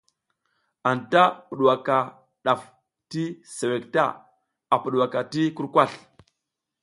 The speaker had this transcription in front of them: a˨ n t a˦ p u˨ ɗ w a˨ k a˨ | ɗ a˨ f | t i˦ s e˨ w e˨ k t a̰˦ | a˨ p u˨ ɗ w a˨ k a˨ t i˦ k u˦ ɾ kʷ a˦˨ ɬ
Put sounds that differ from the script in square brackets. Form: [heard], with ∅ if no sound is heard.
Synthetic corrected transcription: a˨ n t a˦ p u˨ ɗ w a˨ k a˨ | ɗ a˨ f | t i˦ s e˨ w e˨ k t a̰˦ | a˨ p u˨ ɗ w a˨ k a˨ t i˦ k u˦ ɾ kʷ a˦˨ ɬ